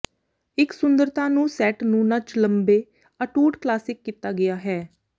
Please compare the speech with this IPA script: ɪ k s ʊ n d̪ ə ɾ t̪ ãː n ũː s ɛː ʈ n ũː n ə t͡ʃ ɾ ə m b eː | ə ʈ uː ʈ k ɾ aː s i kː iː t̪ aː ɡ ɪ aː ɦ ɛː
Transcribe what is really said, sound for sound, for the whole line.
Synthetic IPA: ɪ k s ʊ n d̪ ə ɾ t̪ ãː n ũː s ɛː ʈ n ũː n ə t͡ʃ l ə m b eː | ə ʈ uː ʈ k l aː s ɪ kː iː t̪ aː ɡ ɪ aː ɦ ɛː